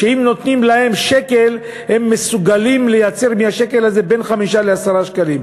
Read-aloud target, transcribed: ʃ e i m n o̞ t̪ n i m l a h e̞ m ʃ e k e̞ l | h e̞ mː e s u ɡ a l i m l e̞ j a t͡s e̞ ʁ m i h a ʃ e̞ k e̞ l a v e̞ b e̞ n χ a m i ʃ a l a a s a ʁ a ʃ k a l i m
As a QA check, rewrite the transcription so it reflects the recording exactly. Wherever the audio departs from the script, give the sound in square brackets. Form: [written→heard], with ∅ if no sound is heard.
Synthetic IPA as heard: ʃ e i m n o̞ t̪ n i m l a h e̞ m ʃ e k e̞ l | h e̞ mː e s u ɡ a l i m l e̞ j a t͡s e̞ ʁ m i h a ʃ e̞ k e̞ l a [v→z] e̞ b e̞ n χ a m i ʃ a l [a→e] a s a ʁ a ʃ k a l i m